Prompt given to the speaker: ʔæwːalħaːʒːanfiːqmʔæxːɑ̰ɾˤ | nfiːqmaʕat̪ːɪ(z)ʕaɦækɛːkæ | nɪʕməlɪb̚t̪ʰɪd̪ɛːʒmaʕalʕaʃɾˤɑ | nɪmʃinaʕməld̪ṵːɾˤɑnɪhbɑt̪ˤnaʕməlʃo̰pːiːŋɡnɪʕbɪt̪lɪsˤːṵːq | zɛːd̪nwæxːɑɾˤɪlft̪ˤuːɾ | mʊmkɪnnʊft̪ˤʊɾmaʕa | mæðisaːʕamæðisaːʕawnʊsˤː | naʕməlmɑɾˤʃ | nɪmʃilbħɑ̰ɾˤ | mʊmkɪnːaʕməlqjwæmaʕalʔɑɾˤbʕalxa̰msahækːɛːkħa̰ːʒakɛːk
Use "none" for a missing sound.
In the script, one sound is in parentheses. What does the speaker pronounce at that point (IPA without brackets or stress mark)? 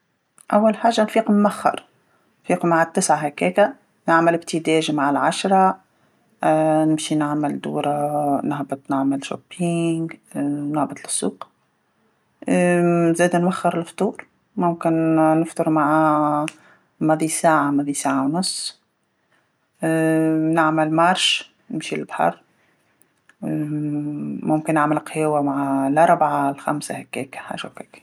s